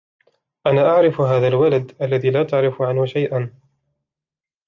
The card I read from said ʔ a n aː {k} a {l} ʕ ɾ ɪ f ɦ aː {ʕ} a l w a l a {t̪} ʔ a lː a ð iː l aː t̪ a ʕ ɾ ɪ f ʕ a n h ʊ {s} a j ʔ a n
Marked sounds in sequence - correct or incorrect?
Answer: incorrect: ʔ, incorrect: none, incorrect: ð, incorrect: d̪, incorrect: ʃ

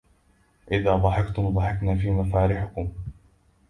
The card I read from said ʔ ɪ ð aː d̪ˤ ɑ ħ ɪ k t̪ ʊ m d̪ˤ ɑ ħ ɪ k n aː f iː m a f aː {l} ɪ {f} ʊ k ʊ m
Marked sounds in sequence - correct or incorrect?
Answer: incorrect: ɾ, incorrect: ħ

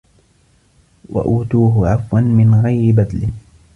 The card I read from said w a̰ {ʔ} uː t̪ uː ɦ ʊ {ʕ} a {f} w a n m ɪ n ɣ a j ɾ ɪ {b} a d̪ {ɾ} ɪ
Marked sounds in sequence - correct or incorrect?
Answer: correct, correct, correct, correct, incorrect: l

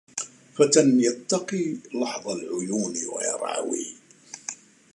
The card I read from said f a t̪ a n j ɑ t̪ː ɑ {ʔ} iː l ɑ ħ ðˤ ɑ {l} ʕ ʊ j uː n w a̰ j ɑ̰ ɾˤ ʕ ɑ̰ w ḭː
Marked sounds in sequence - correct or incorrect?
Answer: incorrect: q, correct

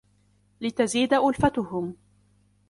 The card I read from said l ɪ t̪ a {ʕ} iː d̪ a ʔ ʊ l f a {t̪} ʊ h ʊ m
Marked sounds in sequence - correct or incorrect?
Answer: incorrect: z, correct

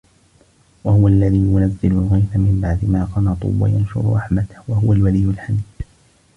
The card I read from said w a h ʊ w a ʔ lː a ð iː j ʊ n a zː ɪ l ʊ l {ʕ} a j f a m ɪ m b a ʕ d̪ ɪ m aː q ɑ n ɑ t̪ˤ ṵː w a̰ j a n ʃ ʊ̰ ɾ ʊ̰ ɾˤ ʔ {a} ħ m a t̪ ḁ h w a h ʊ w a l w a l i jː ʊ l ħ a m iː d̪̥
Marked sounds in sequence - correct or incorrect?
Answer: incorrect: ɣ, incorrect: ɑ

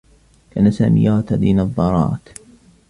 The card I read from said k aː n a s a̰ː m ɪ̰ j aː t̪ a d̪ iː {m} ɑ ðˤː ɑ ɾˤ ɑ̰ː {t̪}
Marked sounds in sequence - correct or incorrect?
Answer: incorrect: n, correct

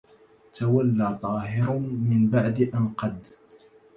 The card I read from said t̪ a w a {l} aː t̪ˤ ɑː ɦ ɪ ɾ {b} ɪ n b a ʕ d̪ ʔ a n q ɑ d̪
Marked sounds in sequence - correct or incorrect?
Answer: incorrect: lː, incorrect: m

